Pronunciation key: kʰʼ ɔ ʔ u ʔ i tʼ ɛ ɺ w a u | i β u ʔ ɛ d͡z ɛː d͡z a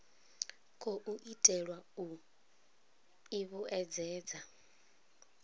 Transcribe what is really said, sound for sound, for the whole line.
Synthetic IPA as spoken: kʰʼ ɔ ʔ u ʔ i tʼ ɛ ɺ w a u | i β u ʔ ɛ d͡z ɛː d͡z a